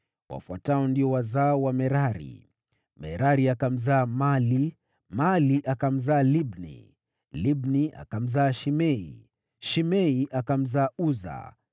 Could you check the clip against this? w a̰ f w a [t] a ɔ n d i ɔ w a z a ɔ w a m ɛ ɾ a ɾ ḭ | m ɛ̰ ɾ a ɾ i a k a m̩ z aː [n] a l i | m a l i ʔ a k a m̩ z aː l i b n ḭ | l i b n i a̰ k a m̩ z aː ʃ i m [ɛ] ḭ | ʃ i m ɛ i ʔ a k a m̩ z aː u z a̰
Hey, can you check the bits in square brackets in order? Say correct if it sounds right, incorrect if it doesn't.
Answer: correct, incorrect: m, correct

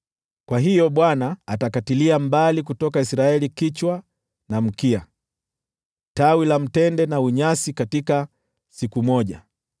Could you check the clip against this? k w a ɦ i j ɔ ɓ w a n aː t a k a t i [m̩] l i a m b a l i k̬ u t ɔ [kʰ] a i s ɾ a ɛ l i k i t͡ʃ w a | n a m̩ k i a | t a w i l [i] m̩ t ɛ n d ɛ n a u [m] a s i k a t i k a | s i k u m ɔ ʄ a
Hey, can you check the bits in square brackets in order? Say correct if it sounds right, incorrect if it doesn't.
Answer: incorrect: none, incorrect: k, incorrect: a, incorrect: ɲ

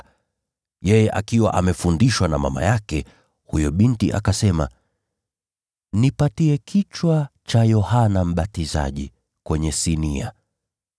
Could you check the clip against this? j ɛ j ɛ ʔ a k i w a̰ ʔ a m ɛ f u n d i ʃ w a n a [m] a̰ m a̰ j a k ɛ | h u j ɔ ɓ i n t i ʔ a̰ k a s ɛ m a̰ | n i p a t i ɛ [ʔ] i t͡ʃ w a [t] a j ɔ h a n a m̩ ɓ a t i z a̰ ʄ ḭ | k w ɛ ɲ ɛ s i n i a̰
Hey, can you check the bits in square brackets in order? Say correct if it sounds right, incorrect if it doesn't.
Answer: correct, incorrect: k, incorrect: t͡ʃ

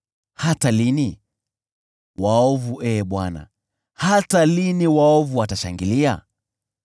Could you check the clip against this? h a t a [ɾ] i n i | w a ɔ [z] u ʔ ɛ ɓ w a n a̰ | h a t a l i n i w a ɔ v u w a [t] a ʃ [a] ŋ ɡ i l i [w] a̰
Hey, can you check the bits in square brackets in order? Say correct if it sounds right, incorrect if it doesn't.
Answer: incorrect: l, incorrect: v, correct, correct, incorrect: none

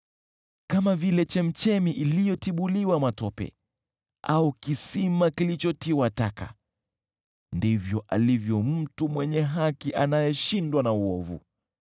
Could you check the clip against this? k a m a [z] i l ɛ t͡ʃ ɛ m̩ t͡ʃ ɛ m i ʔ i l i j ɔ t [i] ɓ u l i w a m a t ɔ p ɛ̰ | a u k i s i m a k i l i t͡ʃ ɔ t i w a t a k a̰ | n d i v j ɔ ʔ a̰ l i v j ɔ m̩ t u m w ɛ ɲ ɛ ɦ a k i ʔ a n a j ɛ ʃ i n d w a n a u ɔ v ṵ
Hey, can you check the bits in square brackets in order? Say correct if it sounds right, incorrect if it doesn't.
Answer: incorrect: v, correct

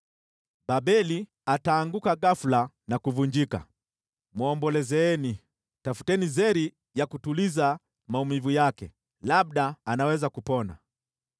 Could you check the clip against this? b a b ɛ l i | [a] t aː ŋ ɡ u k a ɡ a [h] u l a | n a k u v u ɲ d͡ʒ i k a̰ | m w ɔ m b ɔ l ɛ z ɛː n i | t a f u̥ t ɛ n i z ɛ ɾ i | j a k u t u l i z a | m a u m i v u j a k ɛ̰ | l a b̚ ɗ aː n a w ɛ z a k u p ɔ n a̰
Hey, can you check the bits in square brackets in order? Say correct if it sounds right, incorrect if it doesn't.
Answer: correct, incorrect: f

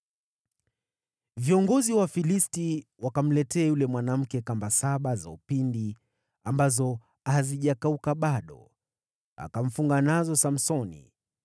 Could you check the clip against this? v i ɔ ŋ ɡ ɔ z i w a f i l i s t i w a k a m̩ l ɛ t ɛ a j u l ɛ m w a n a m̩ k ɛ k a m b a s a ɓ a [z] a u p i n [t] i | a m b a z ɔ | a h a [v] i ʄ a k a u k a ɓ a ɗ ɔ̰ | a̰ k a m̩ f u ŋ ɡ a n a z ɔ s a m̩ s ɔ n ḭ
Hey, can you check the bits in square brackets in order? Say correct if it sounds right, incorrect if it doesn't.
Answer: correct, incorrect: d, incorrect: z

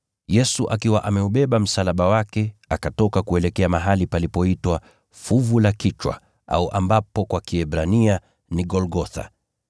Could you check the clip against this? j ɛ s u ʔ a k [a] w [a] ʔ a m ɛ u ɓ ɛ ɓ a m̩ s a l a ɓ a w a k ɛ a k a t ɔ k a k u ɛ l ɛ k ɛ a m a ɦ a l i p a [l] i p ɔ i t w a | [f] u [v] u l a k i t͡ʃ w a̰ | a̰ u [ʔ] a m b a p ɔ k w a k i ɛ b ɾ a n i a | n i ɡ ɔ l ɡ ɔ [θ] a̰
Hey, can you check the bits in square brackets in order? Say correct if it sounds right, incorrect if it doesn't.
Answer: incorrect: i, correct, correct, correct, correct, correct, correct

